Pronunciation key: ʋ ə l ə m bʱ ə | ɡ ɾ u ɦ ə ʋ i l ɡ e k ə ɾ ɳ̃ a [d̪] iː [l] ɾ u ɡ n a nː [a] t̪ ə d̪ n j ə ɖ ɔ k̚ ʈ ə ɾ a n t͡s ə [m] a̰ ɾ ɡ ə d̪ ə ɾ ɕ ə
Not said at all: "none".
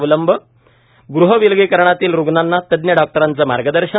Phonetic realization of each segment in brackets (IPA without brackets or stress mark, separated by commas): t̪, l, a, m